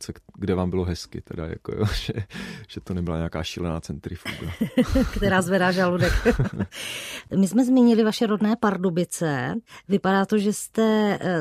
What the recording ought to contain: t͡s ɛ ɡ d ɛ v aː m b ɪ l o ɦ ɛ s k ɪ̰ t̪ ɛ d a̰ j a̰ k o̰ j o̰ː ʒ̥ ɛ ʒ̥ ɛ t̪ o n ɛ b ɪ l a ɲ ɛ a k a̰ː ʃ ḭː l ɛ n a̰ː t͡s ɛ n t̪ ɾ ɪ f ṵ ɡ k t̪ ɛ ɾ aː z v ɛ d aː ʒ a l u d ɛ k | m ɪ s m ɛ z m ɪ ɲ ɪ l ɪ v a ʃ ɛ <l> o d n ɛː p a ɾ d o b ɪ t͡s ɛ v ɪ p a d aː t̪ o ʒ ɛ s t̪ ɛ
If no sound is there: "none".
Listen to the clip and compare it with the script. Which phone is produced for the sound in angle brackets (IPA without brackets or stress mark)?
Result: ɾ